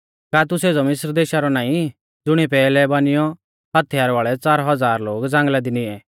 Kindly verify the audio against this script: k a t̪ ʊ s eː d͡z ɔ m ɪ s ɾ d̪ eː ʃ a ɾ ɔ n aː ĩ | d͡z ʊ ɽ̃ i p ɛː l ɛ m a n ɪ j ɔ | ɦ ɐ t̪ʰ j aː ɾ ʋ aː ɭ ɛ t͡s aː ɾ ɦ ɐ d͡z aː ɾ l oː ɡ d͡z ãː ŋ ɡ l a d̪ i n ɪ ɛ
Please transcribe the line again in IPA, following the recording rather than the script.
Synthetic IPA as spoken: k a t̪ ʊ s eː d͡z ɔ m ɪ s ɾ d̪ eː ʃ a ɾ ɔ n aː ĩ | d͡z ʊ ɽ̃ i p ɛː l ɛ b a n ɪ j ɔ | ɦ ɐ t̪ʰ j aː ɾ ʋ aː ɭ ɛ t͡s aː ɾ ɦ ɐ d͡z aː ɾ l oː ɡ d͡z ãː ŋ ɡ l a d̪ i n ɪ ɛ